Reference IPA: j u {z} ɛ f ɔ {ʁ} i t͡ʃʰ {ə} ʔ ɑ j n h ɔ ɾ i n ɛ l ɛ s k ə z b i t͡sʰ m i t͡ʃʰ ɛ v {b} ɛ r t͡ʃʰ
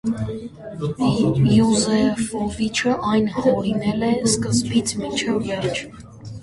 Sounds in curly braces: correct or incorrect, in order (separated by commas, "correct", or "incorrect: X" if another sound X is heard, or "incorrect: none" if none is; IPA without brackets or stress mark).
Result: correct, incorrect: v, correct, incorrect: v